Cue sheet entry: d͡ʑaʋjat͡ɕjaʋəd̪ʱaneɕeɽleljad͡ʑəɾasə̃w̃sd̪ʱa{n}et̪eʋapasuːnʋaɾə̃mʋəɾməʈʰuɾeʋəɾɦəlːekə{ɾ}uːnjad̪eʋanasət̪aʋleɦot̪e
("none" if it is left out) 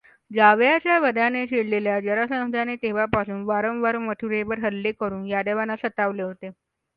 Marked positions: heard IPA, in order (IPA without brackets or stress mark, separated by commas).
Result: n, ɾ